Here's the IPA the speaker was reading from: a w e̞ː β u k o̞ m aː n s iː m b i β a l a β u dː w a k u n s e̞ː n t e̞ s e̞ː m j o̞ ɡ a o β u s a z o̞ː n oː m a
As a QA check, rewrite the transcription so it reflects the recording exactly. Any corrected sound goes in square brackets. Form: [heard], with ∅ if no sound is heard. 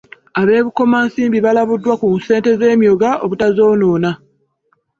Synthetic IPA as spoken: a [β] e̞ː β u k o̞ m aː n s iː m b i β a l a β u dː w a k u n s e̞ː n t e̞ [z] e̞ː m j o̞ ɡ a o β u [t] a z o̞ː n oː [n] a